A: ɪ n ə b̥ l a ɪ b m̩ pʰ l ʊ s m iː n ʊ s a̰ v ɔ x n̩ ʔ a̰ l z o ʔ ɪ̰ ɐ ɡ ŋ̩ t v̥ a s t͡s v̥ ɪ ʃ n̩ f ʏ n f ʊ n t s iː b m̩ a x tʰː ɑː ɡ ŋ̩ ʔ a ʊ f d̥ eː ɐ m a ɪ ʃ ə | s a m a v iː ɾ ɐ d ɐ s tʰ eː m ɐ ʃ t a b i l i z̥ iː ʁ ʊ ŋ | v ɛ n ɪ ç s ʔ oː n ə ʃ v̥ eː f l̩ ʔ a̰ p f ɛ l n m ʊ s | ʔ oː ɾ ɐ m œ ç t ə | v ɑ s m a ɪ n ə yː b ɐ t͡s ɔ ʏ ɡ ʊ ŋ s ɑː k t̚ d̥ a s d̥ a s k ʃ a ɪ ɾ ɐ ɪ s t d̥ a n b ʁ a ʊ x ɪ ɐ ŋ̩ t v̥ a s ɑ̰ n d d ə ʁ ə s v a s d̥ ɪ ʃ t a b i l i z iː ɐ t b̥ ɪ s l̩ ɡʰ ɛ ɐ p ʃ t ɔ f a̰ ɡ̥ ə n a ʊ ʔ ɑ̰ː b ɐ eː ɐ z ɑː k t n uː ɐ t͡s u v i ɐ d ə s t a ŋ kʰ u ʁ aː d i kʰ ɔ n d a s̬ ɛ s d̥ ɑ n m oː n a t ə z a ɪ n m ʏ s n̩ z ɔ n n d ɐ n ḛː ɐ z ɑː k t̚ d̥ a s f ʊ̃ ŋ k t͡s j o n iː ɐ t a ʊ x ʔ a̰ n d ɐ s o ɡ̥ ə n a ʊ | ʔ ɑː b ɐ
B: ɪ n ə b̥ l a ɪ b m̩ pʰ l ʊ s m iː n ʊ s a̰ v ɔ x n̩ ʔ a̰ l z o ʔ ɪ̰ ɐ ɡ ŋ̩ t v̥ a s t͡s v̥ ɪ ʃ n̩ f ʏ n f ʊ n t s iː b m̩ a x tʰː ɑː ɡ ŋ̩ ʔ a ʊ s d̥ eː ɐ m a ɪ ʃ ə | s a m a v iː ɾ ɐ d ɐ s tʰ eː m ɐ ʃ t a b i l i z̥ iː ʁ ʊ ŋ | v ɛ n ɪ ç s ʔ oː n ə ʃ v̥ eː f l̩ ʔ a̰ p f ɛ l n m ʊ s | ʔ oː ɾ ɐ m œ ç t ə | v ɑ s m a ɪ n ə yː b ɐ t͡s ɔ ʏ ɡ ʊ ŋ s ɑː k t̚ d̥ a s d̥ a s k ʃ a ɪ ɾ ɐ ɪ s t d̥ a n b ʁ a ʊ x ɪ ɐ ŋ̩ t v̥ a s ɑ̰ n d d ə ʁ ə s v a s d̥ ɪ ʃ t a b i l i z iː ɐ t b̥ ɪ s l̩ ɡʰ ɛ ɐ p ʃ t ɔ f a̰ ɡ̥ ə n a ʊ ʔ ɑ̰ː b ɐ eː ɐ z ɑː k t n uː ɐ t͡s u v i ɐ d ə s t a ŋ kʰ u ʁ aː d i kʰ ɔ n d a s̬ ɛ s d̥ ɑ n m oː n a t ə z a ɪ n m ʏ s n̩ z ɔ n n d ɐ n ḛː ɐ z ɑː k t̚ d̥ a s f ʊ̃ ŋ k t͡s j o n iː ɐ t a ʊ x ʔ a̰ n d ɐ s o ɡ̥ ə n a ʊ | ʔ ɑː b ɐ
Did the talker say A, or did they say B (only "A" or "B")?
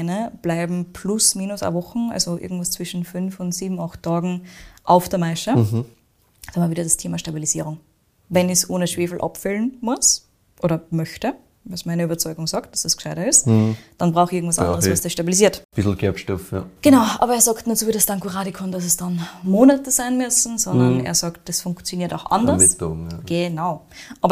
A